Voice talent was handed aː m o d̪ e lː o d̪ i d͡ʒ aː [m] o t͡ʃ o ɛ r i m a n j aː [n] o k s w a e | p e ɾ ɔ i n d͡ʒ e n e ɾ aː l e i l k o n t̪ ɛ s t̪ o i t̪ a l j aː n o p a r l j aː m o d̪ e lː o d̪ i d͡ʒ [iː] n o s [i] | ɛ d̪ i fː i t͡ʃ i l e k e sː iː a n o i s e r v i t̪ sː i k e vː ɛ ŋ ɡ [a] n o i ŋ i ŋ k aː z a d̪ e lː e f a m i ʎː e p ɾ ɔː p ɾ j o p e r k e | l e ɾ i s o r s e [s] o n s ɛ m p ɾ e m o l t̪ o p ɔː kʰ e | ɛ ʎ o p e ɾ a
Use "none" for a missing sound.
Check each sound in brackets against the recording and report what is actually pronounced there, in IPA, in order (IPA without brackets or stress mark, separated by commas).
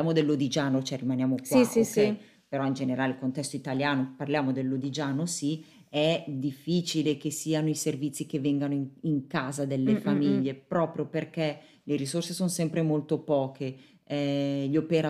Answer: n, m, aː, i, a, s